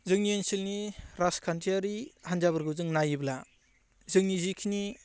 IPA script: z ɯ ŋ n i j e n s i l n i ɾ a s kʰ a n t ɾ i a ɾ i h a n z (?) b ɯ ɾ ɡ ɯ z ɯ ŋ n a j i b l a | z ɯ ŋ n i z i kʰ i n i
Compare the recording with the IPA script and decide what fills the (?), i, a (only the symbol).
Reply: a